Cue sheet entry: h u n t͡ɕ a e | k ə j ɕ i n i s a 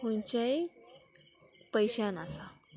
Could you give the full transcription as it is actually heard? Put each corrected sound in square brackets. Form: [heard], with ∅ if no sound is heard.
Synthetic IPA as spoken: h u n t͡ɕ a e | [p] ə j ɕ [a] n [a] s a